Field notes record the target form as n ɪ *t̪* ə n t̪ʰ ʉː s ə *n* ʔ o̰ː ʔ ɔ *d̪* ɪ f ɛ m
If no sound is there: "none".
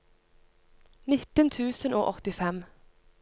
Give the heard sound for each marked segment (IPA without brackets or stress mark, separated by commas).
t̪, n, t̪